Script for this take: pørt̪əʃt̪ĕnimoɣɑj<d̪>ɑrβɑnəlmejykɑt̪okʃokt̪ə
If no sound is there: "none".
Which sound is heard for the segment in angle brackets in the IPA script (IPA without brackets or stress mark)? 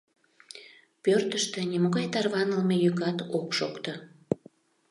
t̪